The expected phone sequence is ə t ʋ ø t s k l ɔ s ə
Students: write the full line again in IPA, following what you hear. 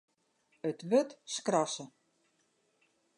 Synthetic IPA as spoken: ə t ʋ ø t s k r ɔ s ə